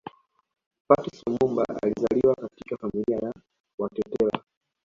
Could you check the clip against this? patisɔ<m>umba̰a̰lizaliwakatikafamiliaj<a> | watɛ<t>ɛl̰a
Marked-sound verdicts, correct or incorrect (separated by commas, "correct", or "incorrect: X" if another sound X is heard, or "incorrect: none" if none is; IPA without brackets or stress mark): correct, correct, correct